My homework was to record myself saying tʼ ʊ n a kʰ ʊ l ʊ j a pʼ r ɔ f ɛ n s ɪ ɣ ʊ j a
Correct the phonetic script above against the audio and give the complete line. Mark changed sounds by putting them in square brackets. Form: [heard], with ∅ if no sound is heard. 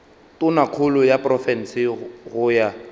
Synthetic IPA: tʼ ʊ n a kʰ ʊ l ʊ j a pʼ r ɔ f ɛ n s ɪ ɣ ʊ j a